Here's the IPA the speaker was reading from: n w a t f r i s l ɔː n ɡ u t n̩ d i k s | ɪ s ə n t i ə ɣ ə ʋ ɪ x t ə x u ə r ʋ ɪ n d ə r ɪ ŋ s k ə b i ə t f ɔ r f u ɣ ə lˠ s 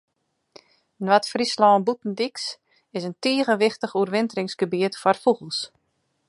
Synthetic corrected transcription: n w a t f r i s l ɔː n b u t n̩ d i k s | ɪ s ə n t i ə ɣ ə ʋ ɪ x t ə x u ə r ʋ ɪ n t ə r ɪ ŋ s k ə b i ə t f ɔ r f u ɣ ə lˠ s